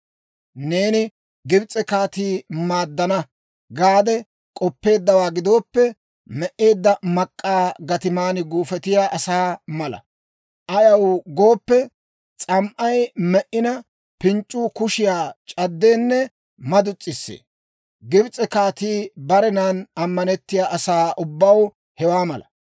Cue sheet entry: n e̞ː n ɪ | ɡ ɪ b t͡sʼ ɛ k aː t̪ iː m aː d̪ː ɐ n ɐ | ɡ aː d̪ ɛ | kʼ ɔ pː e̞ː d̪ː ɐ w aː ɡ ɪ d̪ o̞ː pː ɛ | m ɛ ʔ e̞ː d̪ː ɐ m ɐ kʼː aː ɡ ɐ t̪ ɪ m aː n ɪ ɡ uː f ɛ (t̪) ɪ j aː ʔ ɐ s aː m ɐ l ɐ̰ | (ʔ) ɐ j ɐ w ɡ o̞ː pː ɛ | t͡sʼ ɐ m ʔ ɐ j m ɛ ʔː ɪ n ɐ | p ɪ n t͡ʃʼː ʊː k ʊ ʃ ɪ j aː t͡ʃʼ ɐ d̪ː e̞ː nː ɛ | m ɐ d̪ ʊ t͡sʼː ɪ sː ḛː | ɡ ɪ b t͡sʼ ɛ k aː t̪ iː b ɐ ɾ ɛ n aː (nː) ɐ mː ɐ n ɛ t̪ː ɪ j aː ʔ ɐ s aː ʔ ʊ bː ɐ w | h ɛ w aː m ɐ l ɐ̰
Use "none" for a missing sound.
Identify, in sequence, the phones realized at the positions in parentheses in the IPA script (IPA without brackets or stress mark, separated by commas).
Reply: t̪, ʔ, n